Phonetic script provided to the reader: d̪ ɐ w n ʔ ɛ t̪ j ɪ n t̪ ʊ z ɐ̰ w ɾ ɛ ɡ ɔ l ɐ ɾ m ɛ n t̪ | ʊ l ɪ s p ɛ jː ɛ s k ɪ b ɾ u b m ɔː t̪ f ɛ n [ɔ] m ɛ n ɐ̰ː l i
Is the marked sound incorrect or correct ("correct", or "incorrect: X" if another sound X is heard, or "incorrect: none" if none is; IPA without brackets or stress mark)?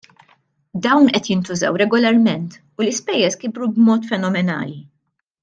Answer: correct